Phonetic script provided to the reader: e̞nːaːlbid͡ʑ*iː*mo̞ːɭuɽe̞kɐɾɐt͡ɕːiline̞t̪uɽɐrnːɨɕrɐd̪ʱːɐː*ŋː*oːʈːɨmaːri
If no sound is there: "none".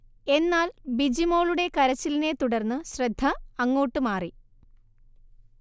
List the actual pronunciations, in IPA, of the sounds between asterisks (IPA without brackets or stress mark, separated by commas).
i, ŋː